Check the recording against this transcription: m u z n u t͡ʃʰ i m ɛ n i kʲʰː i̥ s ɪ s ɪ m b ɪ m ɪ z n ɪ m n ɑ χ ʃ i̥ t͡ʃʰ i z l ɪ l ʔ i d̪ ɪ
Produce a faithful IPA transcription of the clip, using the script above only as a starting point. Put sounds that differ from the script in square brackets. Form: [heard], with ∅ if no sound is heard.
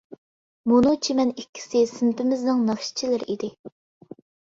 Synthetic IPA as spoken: m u [∅] n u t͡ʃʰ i m ɛ n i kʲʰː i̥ s ɪ s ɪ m [p] ɪ m ɪ z n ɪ [ŋ] n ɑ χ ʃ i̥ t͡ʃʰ i [∅] l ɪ [ɾ] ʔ i d̪ ɪ